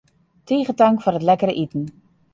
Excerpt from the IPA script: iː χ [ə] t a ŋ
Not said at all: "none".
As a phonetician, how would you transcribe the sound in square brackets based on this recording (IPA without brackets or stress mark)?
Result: ə